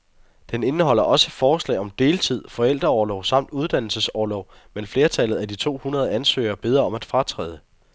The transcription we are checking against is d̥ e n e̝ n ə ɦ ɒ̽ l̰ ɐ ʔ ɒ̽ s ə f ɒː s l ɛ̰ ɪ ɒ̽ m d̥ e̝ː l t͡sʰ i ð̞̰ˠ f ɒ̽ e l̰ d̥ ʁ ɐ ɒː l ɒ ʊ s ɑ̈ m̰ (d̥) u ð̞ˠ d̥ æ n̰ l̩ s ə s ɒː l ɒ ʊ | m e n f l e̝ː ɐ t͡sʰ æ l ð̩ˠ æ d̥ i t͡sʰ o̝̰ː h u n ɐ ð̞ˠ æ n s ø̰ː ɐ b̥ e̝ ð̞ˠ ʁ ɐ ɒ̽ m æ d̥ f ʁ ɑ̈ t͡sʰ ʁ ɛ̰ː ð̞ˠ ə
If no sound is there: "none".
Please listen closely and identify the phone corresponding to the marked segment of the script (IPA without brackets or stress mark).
d̥